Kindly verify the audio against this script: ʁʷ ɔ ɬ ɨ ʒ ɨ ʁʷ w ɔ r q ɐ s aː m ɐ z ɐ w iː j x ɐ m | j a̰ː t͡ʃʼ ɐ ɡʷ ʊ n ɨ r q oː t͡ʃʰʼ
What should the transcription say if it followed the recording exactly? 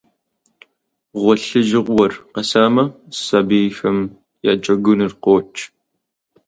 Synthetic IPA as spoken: ʁʷ ɔ ɬ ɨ ʒ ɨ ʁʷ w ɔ r q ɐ s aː m ɐ s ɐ b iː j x ɐ m | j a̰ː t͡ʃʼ ɐ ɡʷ ʊ n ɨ r q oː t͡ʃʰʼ